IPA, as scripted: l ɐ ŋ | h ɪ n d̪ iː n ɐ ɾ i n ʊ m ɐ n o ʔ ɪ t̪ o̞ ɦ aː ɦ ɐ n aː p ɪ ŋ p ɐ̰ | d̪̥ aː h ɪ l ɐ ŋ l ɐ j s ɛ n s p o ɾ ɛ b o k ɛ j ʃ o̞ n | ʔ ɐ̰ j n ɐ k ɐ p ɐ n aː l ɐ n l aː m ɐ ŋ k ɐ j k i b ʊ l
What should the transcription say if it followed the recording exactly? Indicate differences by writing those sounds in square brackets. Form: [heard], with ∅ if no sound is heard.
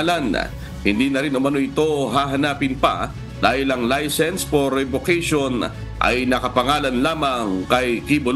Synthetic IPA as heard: l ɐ [n] | h ɪ n d̪ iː n ɐ ɾ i n ʊ m ɐ n o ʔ ɪ t̪ o̞ ɦ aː ɦ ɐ n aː p ɪ [n] p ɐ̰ | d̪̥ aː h ɪ l ɐ ŋ l [a] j s ɛ n s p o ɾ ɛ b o k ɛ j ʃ o̞ n | ʔ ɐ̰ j n ɐ k ɐ p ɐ [ŋ] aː l ɐ n l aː m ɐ ŋ k ɐ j k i b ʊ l